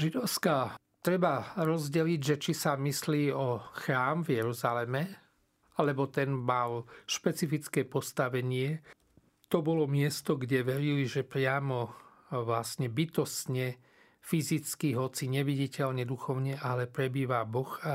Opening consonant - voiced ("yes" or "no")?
yes